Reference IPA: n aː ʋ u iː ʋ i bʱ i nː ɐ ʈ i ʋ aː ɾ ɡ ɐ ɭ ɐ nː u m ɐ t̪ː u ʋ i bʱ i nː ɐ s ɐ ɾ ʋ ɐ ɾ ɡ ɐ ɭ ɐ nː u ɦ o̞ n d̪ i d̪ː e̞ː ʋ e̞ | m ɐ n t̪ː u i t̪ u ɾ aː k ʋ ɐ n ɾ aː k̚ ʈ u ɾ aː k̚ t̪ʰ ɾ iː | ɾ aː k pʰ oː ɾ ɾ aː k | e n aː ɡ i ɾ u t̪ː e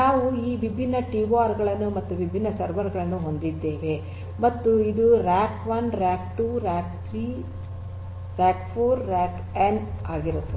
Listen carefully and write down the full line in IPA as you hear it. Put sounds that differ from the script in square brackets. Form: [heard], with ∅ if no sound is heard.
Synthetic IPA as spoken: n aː ʋ u iː ʋ i bʱ i nː ɐ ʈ i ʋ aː ɾ ɡ ɐ ɭ ɐ nː u m ɐ t̪ː u ʋ i bʱ i nː ɐ s ɐ ɾ ʋ ɐ ɾ ɡ ɐ ɭ ɐ nː u ɦ o̞ n d̪ i d̪ː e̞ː ʋ e̞ | m ɐ [∅] t̪ː u i [d̪] u ɾ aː k ʋ ɐ n ɾ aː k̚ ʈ u ɾ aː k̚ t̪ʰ ɾ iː | ɾ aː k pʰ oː ɾ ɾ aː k | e n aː ɡ i ɾ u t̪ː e

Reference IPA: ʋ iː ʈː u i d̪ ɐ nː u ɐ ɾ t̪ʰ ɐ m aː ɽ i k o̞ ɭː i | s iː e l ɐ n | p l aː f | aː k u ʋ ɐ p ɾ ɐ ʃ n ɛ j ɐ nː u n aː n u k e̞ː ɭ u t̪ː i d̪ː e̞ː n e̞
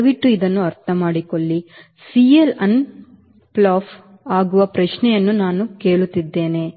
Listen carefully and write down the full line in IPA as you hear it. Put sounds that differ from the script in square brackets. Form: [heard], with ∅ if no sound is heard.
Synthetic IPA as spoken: ʋ [i] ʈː u i d̪ ɐ nː u ɐ ɾ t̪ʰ ɐ m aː ɽ i k o̞ ɭː i | s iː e l ɐ n | p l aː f | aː [ɡ] u ʋ ɐ p ɾ ɐ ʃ n ɛ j ɐ nː u n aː n u k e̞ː ɭ u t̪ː i d̪ː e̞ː n e̞

